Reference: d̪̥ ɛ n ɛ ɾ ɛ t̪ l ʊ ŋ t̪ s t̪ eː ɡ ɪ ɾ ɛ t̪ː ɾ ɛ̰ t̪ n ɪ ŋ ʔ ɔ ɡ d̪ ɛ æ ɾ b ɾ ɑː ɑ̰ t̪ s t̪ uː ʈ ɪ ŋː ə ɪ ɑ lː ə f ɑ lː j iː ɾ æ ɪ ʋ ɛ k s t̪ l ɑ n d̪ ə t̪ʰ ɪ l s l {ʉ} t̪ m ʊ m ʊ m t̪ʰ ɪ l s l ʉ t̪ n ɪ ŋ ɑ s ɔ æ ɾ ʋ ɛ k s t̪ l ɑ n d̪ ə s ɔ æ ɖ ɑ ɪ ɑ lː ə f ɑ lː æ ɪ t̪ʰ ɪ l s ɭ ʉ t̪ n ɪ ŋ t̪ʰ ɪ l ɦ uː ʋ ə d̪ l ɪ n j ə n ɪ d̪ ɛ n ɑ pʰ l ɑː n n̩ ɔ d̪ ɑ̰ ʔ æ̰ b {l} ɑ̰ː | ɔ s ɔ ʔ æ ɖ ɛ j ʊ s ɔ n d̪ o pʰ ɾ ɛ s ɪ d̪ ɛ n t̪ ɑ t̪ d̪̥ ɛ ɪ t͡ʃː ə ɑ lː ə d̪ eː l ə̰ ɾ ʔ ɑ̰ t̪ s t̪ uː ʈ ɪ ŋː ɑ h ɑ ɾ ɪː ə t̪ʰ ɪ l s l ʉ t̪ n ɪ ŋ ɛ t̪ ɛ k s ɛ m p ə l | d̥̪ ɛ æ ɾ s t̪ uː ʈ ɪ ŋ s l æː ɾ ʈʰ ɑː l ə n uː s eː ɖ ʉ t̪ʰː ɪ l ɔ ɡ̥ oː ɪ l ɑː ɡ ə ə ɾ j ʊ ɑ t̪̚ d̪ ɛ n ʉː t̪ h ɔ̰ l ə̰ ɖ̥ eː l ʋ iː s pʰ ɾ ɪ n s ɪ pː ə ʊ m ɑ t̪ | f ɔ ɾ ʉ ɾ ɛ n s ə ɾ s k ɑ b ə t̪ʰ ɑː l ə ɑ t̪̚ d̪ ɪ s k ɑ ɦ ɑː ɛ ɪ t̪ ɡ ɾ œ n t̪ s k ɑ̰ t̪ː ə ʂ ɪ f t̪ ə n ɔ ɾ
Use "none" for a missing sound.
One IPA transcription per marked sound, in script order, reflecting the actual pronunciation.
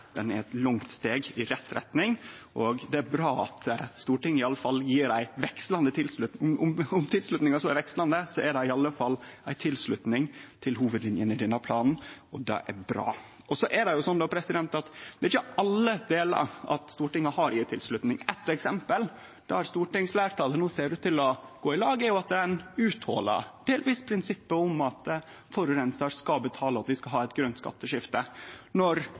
ʉ, ɾ

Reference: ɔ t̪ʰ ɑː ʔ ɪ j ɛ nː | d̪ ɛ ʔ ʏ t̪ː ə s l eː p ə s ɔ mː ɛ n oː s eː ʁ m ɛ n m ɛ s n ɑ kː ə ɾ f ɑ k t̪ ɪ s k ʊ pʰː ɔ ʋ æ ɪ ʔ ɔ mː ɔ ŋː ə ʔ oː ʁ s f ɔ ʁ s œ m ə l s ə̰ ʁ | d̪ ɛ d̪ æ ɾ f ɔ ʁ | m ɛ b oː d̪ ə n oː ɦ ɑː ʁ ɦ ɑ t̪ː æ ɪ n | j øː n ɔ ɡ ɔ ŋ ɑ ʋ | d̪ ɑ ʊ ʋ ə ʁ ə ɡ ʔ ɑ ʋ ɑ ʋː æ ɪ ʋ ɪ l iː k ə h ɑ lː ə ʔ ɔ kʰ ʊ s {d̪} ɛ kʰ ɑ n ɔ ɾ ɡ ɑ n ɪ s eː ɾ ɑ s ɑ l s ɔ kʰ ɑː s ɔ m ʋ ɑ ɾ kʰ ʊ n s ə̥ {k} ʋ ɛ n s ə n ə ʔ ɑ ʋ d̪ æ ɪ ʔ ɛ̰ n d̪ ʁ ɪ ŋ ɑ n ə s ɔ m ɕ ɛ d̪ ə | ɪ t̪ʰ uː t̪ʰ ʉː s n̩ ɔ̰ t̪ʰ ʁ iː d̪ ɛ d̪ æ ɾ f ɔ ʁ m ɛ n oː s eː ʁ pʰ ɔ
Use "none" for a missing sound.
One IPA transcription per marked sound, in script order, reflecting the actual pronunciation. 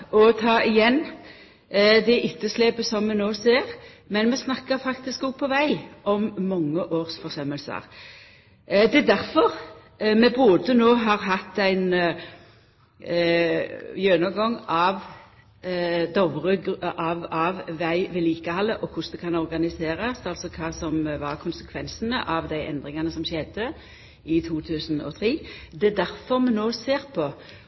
d̪, kʰ

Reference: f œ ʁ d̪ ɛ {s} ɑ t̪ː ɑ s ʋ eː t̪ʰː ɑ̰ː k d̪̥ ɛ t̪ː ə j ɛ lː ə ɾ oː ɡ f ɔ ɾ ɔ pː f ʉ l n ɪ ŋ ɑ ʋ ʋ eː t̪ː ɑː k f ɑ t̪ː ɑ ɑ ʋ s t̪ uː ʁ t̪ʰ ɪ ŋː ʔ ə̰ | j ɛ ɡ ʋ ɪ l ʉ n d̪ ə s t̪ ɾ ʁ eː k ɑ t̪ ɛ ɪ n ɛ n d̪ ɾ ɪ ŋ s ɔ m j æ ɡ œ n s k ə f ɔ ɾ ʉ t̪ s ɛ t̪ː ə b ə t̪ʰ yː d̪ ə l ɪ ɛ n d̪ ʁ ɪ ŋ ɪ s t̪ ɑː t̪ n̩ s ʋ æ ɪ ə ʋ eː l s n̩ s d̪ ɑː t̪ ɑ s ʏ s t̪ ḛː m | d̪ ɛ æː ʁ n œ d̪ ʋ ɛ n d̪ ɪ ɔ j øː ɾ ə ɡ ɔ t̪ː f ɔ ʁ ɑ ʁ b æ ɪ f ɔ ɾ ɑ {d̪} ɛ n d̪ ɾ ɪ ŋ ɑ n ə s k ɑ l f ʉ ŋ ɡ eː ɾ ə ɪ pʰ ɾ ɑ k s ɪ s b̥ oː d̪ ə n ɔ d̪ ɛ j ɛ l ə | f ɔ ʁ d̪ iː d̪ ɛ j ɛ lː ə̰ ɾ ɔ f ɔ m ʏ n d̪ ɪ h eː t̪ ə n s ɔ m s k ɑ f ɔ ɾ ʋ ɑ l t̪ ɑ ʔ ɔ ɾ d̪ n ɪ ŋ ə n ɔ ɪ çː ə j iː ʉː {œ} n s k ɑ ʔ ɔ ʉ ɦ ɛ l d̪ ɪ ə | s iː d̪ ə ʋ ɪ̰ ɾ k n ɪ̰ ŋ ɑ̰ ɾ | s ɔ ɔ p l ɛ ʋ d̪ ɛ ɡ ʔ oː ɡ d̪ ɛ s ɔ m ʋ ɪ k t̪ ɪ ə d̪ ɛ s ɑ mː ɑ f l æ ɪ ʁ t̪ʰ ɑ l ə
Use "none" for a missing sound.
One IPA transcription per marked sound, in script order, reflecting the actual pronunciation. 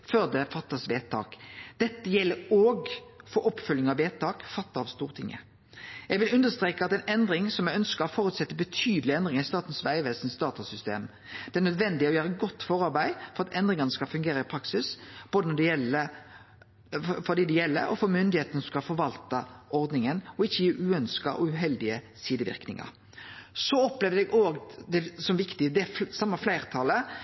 f, t̪, œ

